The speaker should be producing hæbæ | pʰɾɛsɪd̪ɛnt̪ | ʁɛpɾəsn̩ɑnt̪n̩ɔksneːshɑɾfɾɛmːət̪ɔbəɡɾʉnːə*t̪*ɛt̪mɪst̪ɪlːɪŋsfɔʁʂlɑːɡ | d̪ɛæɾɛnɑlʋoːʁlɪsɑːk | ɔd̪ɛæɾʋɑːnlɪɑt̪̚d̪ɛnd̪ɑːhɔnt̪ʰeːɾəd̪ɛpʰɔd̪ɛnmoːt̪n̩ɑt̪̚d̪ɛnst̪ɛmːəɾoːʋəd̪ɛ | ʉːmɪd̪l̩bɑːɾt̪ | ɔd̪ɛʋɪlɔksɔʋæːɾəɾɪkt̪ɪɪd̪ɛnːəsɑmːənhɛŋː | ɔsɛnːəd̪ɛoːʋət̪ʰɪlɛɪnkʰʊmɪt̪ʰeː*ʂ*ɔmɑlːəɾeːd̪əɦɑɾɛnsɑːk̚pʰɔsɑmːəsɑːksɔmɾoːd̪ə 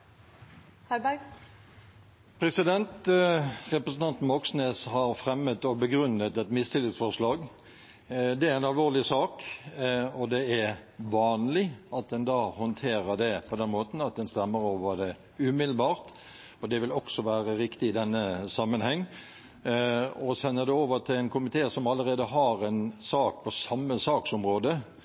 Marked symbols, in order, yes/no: yes, no

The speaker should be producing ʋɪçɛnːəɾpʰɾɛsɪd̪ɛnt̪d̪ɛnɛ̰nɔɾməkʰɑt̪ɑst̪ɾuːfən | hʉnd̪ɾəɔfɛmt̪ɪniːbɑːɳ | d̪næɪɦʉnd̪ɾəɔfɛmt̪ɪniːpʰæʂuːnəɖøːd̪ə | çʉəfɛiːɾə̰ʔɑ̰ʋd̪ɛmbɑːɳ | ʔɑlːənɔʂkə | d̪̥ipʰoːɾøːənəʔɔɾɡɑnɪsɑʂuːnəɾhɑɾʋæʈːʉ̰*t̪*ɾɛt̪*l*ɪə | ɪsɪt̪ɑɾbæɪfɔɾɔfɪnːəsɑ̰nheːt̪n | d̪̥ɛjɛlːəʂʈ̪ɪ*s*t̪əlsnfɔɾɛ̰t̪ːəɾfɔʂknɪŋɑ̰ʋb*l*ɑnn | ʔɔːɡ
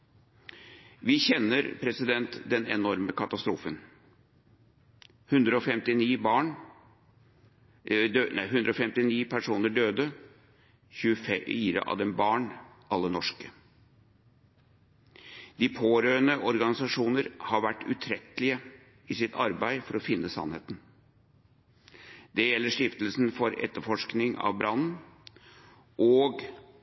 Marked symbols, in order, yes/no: no, yes, no, no

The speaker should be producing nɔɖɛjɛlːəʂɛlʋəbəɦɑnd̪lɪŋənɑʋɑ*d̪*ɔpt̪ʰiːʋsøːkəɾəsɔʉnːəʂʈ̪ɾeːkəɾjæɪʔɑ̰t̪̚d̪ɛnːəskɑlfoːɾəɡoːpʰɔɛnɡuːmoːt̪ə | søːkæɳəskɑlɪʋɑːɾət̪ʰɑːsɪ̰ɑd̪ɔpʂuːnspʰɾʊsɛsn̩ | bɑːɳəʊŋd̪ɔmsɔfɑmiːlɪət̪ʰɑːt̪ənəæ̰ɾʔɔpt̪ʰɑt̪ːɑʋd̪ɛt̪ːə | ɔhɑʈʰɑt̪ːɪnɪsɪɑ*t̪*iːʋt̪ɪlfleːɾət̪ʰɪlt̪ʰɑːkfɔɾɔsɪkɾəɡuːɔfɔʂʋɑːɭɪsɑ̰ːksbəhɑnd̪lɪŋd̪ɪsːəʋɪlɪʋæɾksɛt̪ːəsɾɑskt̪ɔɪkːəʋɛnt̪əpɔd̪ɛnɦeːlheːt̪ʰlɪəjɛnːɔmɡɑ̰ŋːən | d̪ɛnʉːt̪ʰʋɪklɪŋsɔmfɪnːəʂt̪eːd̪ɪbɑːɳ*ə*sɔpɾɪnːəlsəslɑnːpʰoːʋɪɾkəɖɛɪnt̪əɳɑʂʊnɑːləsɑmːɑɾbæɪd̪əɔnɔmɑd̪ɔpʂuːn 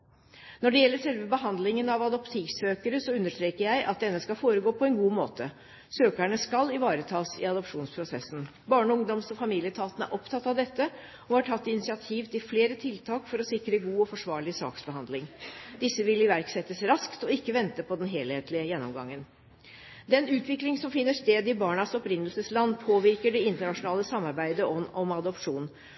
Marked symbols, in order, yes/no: yes, no, no

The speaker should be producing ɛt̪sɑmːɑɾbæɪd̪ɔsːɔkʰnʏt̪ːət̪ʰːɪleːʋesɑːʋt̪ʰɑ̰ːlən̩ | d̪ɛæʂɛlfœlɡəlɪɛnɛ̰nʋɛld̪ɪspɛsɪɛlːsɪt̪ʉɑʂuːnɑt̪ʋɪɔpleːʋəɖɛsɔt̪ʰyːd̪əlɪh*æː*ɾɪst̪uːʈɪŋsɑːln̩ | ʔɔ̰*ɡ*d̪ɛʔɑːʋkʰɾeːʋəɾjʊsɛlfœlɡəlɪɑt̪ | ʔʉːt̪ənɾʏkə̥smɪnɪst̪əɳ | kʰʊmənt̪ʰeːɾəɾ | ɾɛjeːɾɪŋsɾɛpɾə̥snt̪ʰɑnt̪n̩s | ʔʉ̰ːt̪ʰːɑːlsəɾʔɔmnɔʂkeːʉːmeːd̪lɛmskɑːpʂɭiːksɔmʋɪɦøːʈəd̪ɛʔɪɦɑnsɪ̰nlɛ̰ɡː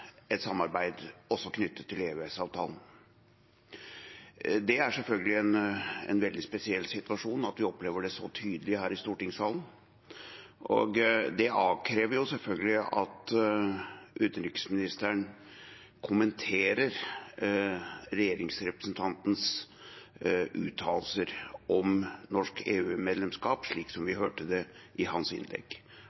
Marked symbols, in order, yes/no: yes, yes

